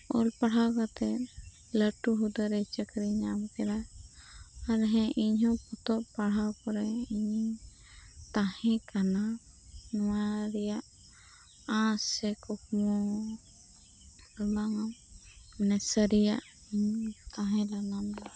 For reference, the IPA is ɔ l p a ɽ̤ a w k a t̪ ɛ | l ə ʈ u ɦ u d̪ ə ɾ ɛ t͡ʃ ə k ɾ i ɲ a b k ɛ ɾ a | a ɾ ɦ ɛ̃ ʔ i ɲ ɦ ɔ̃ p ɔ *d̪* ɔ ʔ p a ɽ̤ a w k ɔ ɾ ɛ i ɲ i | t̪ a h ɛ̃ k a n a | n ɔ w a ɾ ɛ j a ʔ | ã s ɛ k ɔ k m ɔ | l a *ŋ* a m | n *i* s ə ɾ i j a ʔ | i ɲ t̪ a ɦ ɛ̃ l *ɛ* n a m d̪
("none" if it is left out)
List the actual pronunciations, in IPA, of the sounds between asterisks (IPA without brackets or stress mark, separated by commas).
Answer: t̪, ŋ, ɛ, a